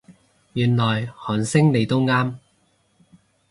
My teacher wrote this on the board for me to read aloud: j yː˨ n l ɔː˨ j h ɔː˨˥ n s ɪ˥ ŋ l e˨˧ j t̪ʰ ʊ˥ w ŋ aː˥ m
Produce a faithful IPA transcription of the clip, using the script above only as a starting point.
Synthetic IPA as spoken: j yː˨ n l ɔː˨ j h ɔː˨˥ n s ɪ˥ ŋ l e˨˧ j t̪ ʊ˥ w ŋ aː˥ m